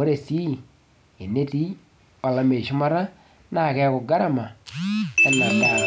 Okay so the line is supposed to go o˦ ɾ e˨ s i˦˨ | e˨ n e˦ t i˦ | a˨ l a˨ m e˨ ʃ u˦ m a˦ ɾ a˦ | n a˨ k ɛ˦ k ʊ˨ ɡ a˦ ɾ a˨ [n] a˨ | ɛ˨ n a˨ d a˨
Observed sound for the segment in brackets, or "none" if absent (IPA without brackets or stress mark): m